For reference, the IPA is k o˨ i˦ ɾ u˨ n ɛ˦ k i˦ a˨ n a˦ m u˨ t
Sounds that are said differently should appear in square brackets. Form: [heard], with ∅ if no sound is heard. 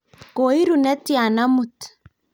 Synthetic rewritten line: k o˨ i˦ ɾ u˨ n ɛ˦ [t] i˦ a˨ n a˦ m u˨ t